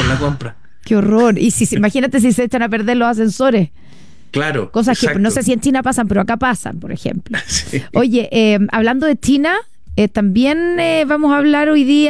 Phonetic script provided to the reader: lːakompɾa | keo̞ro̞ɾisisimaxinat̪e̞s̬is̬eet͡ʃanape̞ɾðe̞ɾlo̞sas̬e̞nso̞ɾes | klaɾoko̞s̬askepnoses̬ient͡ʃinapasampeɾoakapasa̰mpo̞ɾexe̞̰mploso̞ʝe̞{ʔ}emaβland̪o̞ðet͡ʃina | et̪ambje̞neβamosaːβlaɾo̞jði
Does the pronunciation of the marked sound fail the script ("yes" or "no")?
no